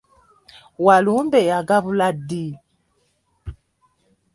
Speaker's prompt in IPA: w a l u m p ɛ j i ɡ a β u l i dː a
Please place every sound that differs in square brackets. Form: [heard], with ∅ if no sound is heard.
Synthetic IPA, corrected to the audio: w a l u m [b] ɛ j [a] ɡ a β u l [a] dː [i]